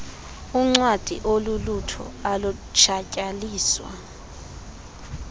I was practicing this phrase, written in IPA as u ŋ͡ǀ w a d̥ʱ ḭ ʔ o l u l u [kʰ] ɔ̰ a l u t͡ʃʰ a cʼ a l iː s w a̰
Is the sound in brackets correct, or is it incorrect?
incorrect: tʰ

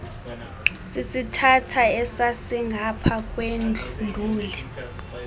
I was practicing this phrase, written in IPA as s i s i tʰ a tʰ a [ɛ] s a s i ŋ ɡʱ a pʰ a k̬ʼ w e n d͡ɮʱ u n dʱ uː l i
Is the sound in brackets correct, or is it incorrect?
correct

